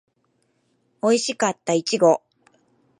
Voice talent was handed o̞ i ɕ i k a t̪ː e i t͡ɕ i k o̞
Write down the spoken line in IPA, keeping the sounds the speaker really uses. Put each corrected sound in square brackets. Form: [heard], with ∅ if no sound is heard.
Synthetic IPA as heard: o̞ i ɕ i k a t̪ː [a] i t͡ɕ i [ɡ] o̞